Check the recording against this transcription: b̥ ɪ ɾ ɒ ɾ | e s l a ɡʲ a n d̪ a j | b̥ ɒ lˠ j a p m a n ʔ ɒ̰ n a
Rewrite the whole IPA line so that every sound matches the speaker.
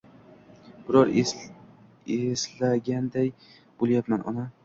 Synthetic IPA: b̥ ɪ ɾ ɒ ɾ | e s l a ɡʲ a n d̪ a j | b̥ o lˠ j a p m a n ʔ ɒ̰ n a